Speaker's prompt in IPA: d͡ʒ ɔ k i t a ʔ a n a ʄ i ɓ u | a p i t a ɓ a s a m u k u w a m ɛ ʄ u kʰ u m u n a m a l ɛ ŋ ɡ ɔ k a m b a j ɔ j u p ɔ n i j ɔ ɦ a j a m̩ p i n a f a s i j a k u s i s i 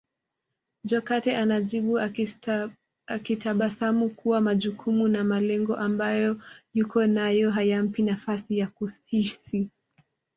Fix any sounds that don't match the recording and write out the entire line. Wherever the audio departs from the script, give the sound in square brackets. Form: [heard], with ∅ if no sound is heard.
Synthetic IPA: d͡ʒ ɔ k [a] t [ɛ] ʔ a n a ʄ i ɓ u | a [k] i t a ɓ a s a m u k u w a m [a] ʄ u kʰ u m u n a m a l ɛ ŋ ɡ ɔ [ʔ] a m b a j ɔ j u [k] ɔ n [a] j ɔ ɦ a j a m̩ p i n a f a s i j a k u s i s i